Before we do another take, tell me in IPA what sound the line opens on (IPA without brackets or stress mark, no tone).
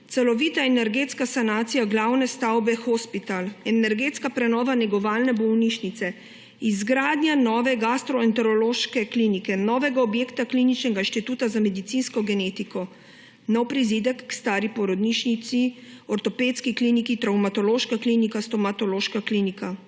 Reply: t̪